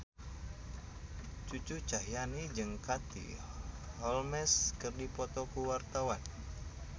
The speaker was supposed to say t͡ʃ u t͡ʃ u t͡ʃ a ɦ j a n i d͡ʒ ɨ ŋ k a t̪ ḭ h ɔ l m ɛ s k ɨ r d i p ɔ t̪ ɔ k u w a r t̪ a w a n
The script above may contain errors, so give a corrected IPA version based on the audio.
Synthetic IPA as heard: t͡ʃ u t͡ʃ u t͡ʃ a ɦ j a n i d͡ʒ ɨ ŋ k a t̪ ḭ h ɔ l m ɛ s k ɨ r d i p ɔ t̪ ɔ k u w a r t̪ a w a n